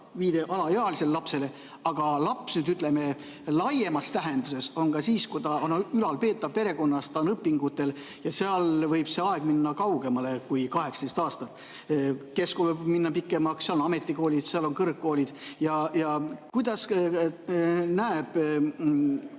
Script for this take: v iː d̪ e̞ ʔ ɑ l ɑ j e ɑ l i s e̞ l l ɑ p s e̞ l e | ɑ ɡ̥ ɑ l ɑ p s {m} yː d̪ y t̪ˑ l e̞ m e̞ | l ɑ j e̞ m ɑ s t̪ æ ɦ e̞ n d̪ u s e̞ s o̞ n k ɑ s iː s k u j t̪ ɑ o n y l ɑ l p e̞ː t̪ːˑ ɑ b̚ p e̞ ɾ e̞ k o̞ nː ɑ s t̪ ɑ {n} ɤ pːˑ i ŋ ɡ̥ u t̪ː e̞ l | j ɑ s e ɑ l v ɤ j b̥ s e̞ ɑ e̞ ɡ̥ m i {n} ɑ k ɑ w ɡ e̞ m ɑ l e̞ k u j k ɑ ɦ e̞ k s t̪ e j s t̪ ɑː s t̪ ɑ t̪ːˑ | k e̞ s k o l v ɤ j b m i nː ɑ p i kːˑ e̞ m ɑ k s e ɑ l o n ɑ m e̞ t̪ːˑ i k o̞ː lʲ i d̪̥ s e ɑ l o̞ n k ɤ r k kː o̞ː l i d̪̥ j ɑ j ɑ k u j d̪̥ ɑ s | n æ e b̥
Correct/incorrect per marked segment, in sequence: incorrect: n, correct, incorrect: nː

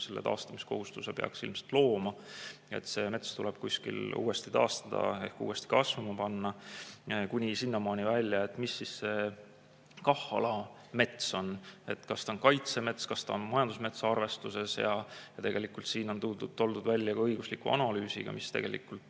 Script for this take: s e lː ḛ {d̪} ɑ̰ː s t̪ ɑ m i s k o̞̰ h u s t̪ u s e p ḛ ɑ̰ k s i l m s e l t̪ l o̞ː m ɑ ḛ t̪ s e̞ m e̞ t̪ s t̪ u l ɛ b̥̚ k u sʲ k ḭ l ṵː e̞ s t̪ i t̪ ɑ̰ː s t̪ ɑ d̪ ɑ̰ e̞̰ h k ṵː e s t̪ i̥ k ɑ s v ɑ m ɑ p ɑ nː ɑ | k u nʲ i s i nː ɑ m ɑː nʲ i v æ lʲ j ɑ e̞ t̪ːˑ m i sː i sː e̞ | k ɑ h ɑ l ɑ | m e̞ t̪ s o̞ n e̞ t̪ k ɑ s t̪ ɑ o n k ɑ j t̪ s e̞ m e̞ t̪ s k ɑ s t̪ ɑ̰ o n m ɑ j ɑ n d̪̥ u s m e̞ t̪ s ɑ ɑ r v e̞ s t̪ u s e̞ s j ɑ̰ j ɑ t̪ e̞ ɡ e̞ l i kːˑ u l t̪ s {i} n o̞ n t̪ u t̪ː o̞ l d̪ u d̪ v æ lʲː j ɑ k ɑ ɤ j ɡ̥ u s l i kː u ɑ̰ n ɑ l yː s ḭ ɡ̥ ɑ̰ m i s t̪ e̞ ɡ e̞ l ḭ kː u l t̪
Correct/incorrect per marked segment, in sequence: incorrect: t̪, incorrect: iː

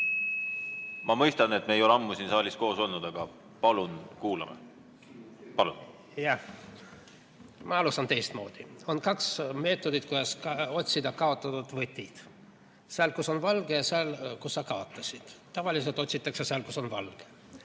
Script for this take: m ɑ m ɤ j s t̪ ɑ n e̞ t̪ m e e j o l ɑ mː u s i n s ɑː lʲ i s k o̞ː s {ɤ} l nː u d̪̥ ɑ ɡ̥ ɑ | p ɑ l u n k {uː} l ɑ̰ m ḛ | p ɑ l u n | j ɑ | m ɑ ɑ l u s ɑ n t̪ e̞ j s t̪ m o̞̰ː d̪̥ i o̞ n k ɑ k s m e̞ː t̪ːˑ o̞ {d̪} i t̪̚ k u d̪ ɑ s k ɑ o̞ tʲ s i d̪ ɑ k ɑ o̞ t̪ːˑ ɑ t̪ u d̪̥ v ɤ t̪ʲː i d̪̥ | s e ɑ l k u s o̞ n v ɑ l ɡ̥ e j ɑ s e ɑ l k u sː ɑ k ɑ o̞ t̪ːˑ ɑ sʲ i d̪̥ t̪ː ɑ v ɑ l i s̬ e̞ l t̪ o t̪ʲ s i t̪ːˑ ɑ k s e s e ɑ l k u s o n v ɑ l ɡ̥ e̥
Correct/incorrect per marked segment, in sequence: incorrect: o, correct, correct

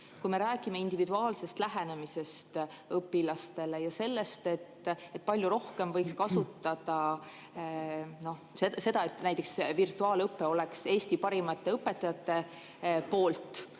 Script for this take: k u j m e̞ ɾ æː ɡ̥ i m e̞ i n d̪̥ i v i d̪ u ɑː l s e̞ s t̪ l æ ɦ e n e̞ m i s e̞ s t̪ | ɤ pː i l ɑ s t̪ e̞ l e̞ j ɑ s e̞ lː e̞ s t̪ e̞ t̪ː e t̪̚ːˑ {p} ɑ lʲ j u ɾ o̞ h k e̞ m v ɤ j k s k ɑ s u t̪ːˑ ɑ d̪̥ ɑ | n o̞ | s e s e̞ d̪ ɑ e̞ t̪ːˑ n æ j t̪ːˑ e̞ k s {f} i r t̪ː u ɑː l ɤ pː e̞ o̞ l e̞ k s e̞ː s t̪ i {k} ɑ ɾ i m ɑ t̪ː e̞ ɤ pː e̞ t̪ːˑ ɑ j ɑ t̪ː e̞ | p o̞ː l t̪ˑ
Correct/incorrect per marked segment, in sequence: correct, incorrect: v, incorrect: p

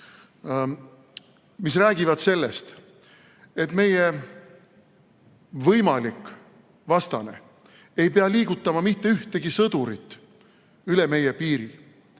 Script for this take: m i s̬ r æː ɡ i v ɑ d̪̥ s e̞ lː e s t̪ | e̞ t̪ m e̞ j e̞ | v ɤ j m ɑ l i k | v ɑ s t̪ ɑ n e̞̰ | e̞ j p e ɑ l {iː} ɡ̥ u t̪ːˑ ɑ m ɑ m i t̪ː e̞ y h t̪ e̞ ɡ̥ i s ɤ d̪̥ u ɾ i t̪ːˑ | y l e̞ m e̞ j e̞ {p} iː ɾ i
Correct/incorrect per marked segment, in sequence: correct, correct

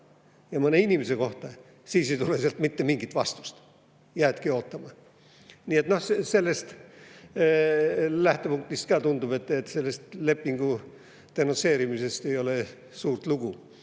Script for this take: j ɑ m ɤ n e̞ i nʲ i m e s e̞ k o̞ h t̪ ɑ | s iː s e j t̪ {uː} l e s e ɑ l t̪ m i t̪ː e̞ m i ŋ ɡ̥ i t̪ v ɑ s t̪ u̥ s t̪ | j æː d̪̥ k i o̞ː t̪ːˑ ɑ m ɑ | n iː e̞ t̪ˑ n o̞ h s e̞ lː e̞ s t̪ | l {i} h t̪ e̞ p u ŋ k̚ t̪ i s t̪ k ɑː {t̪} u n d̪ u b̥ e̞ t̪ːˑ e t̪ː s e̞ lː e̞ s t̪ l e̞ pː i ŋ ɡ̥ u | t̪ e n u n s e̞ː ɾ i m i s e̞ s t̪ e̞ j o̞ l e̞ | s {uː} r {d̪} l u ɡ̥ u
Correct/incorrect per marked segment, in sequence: incorrect: u, incorrect: æ, correct, correct, incorrect: t̪

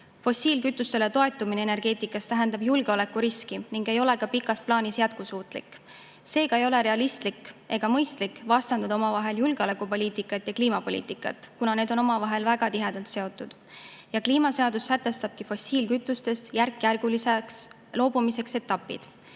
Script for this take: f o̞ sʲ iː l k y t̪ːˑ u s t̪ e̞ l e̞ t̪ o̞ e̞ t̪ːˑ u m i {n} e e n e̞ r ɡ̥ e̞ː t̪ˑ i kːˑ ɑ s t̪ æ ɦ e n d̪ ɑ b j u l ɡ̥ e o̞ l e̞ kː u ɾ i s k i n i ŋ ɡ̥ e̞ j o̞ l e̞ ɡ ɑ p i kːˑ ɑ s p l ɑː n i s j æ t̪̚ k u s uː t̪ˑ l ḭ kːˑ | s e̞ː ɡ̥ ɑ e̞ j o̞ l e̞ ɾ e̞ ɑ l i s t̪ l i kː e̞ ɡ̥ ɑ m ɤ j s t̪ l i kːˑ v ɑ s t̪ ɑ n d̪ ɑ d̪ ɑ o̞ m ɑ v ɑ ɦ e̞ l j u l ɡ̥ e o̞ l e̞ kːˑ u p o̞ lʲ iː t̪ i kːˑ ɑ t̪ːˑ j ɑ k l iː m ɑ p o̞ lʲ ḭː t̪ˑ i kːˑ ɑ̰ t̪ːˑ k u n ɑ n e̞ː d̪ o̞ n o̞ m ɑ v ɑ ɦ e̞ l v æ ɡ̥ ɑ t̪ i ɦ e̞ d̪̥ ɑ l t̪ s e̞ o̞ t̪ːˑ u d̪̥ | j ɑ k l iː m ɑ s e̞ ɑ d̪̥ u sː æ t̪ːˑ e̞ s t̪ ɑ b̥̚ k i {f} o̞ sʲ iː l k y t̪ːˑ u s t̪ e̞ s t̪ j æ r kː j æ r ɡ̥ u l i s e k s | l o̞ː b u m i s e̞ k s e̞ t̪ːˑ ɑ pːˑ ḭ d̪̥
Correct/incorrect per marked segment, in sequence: correct, correct

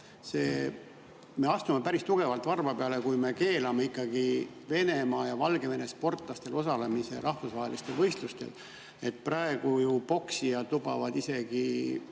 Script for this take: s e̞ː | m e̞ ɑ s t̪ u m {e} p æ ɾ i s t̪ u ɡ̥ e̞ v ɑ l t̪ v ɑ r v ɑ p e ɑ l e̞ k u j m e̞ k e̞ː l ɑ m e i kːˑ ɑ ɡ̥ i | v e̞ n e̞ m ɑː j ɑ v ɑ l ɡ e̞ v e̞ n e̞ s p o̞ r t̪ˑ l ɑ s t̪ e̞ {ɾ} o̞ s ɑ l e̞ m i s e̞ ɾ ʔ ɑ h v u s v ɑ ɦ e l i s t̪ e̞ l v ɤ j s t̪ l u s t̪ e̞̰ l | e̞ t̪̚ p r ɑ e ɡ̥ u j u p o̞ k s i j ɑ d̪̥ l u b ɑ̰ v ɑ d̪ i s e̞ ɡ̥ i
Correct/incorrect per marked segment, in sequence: correct, incorrect: l

